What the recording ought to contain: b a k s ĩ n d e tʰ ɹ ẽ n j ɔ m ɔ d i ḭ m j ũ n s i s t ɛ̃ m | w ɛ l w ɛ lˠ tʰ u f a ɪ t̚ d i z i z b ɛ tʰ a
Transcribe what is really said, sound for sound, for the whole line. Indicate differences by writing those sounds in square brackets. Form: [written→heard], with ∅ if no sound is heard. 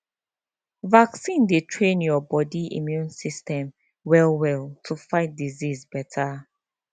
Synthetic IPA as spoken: [b→v] a k s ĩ n d e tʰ ɹ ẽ n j ɔ [m→b] ɔ d i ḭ m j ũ n s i s t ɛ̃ m | w ɛ l w ɛ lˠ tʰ u f a ɪ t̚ d i z i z b ɛ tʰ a